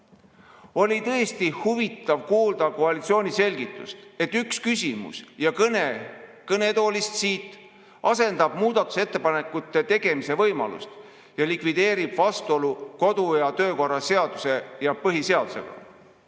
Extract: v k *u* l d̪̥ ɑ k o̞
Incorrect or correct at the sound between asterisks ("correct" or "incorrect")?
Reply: incorrect